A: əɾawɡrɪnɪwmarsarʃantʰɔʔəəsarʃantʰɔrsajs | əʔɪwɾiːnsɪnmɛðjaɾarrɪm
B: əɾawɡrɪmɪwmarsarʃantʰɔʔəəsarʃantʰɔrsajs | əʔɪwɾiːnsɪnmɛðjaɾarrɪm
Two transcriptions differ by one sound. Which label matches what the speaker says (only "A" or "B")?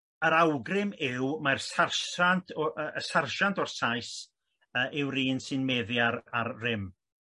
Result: B